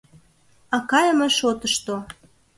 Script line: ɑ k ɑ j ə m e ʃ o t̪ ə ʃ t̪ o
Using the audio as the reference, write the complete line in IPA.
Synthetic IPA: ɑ k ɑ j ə m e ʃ o t̪ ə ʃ t̪ o